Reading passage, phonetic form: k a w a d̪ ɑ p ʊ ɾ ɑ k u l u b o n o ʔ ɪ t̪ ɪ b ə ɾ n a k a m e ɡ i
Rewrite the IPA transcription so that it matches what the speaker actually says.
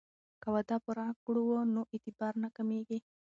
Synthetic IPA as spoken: k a w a d̪ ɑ p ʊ ɾ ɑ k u ɽ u w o n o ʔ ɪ t̪ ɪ b ɑ ɾ n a k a m e ɡ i

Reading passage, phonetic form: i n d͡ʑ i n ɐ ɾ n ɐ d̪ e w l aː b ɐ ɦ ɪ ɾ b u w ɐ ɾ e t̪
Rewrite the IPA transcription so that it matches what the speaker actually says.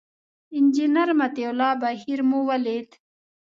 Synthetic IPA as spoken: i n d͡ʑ i n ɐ ɾ m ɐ t̪ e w l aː b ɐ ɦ i ɾ m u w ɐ l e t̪

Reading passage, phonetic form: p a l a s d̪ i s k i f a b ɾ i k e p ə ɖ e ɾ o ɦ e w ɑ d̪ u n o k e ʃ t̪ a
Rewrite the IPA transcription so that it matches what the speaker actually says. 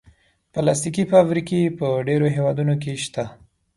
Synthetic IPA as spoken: p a l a s t̪ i k i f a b ɾ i k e p ə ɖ e ɾ o ɦ e w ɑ d̪ u n o k e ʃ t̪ a

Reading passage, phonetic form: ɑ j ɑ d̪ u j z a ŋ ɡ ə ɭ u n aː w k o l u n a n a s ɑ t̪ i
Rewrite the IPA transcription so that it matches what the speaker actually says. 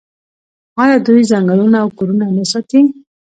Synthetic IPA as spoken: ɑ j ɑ d̪ u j z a ŋ ɡ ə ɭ u n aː w k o ɾ u n a n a s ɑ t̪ i

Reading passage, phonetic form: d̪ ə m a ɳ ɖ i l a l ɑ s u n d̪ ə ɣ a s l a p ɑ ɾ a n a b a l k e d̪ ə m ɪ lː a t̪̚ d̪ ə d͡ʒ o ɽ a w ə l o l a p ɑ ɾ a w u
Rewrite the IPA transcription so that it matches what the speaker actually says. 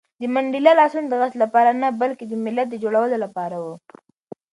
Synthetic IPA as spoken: d̪ ə m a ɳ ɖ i l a l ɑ s u n d̪ ə ɣ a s l a p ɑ ɾ a n a b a l k e d̪ ə m ɪ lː a t̪̚ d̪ ə d͡ʒ o ɽ a w ə l o l a p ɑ ɾ a w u

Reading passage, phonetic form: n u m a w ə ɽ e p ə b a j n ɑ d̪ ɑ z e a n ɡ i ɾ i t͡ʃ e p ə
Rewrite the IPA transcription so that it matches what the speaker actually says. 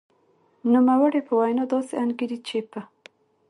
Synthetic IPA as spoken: n u m a w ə ɽ e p ə w a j n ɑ d̪ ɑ s e a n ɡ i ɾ i t͡ʃ e p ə

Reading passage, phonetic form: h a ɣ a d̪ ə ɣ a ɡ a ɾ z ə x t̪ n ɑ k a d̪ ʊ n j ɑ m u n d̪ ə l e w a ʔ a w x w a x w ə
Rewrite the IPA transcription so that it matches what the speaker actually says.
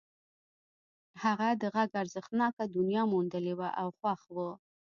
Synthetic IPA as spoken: h a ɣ a d̪ ə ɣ a ɡ a ɾ z ə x t̪ n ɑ k a d̪ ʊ n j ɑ m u n d̪ ə l e w a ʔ a w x w a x w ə

